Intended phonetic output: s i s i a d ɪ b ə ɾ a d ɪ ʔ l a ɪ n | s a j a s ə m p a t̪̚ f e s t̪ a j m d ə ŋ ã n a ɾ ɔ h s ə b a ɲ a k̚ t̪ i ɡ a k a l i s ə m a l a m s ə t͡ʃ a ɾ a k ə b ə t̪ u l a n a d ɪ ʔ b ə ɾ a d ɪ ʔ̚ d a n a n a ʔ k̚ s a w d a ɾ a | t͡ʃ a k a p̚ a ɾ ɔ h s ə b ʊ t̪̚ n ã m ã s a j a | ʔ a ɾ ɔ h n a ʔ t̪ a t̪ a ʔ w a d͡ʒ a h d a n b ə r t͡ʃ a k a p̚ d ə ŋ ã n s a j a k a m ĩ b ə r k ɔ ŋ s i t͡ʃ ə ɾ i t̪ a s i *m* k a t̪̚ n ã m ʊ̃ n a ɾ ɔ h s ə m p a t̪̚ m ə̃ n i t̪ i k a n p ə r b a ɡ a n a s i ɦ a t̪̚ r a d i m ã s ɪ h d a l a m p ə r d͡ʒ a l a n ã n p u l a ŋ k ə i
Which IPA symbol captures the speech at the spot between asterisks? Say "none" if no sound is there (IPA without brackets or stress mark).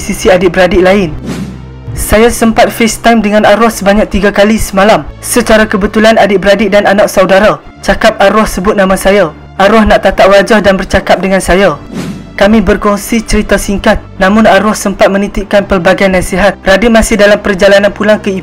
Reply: ŋ